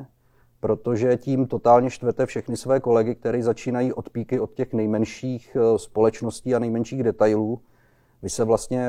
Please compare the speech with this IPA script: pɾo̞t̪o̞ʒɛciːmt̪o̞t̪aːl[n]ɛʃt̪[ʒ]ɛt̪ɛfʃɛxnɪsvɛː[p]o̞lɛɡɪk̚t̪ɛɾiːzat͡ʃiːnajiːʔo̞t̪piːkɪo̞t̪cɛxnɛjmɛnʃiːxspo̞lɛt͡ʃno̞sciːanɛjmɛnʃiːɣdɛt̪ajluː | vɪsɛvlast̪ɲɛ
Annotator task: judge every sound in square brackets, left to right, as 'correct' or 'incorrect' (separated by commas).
incorrect, incorrect, incorrect